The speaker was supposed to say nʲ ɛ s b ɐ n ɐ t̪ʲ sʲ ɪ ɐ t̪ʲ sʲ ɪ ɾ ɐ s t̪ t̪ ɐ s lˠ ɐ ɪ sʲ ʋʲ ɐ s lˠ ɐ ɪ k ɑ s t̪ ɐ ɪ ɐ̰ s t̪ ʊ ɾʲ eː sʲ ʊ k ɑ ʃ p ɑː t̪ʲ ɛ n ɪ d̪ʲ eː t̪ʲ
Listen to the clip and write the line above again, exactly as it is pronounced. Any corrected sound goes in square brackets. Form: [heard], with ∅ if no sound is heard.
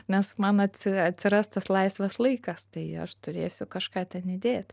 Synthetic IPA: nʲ ɛ s [m] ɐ n ɐ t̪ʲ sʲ ɪ ɐ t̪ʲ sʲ ɪ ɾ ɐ s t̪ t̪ ɐ s lˠ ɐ ɪ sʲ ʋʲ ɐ s lˠ ɐ ɪ k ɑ s t̪ ɐ ɪ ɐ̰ [ʃ] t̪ ʊ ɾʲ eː sʲ ʊ k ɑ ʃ [k] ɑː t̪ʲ ɛ n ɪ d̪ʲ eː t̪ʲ

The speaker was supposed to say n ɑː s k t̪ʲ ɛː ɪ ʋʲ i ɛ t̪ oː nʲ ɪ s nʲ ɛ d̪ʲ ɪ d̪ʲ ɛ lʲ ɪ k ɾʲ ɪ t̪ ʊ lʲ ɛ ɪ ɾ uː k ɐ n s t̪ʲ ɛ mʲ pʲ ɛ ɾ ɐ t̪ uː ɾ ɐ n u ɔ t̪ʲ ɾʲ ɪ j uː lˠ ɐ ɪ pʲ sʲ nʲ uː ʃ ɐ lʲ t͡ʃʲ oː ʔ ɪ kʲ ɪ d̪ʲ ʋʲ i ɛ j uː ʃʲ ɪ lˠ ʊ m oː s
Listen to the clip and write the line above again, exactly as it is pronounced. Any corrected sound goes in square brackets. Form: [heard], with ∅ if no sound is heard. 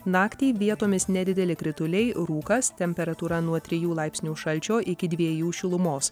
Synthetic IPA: n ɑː [∅] k t̪ʲ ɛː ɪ ʋʲ i ɛ t̪ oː [mʲ] ɪ s nʲ ɛ d̪ʲ ɪ d̪ʲ ɛ lʲ ɪ k ɾʲ ɪ t̪ ʊ lʲ ɛ ɪ ɾ uː k ɐ [∅] s t̪ʲ ɛ mʲ pʲ ɛ ɾ ɐ t̪ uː ɾ ɐ n u ɔ t̪ʲ ɾʲ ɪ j uː lˠ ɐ ɪ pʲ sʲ nʲ uː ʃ ɐ lʲ t͡ʃʲ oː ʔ ɪ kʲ ɪ d̪ʲ ʋʲ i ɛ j uː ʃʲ ɪ lˠ ʊ m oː s

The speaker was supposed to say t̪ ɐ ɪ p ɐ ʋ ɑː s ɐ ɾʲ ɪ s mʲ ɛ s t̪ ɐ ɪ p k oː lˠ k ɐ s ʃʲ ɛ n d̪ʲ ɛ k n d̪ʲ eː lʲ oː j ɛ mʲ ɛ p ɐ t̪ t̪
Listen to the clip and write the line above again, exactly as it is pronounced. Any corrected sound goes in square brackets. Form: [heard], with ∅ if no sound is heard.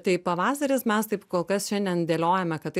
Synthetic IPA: t̪ ɐ ɪ p ɐ ʋ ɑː s ɐ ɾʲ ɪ s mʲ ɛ s t̪ ɐ ɪ p k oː lˠ k ɐ s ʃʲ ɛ n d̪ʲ ɛ [∅] n d̪ʲ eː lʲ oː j ɛ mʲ ɛ [k] ɐ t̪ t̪

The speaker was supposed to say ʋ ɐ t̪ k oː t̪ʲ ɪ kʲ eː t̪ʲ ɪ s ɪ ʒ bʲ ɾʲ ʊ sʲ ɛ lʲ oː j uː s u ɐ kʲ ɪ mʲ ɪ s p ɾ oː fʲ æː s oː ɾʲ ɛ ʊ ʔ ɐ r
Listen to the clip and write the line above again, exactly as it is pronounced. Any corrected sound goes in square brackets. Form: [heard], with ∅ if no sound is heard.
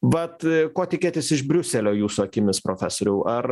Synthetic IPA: ʋ ɐ t̪ k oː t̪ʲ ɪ kʲ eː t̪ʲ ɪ s ɪ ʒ bʲ ɾʲ ʊ sʲ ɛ lʲ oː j uː s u ɐ kʲ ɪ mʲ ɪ s p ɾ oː fʲ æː s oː ɾʲ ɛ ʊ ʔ ɐ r

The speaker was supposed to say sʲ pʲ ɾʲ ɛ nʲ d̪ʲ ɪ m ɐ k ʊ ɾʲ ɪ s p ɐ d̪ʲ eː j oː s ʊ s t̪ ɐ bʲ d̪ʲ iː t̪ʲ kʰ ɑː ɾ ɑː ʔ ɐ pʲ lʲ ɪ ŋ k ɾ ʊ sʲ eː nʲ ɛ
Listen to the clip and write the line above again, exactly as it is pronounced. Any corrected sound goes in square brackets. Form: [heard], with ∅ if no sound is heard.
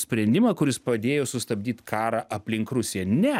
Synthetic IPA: sʲ pʲ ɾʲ ɛ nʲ d̪ʲ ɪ m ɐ k ʊ ɾʲ ɪ s p ɐ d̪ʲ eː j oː s ʊ s t̪ ɐ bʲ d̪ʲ iː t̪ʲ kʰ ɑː ɾ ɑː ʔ ɐ pʲ lʲ ɪ ŋ k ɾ ʊ sʲ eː nʲ ɛ

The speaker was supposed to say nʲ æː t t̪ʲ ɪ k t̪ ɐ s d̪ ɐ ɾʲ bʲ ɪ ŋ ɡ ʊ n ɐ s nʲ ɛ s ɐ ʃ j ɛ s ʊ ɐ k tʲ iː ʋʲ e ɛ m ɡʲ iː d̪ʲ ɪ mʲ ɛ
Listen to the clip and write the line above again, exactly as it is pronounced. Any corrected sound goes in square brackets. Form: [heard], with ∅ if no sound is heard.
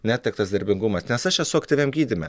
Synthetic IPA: nʲ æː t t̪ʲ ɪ k t̪ ɐ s d̪ ɐ ɾʲ bʲ ɪ ŋ ɡ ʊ [m] ɐ s nʲ ɛ s ɐ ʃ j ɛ s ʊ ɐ k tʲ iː ʋʲ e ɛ m ɡʲ iː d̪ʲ ɪ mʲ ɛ

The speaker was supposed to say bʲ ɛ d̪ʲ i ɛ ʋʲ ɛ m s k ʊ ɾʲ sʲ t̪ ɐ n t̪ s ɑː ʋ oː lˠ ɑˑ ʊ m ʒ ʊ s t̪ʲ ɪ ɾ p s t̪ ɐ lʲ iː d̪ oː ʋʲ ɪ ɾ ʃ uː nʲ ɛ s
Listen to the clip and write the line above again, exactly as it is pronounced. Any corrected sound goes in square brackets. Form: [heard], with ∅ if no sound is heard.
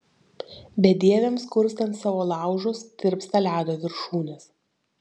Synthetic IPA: bʲ ɛ d̪ʲ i ɛ ʋʲ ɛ m s k ʊ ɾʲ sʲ t̪ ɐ n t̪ s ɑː ʋ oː lˠ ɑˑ ʊ [∅] ʒ ʊ s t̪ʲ ɪ ɾ p s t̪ ɐ lʲ [æː] d̪ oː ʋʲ ɪ ɾ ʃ uː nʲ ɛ s

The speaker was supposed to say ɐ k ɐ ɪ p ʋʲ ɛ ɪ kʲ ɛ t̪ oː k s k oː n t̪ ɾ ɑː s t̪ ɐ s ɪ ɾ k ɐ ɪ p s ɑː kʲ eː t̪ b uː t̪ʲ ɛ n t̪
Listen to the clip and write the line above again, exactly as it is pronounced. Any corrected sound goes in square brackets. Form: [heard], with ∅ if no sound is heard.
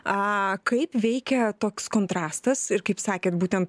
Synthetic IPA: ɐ k ɐ ɪ p ʋʲ ɛ ɪ kʲ ɛ t̪ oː k s k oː n t̪ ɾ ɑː s t̪ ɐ s ɪ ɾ k ɐ ɪ p s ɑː kʲ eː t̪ b uː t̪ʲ ɛ n t̪

